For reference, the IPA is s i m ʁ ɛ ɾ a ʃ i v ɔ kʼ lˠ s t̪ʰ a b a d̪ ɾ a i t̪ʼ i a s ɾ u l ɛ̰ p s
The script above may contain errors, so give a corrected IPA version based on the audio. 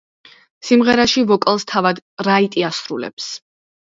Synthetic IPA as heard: s i m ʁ ɛ ɾ a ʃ i v ɔ kʼ lˠ s t̪ʰ a v a d̪ ɾ a i t̪ʼ i a s ɾ u l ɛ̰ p s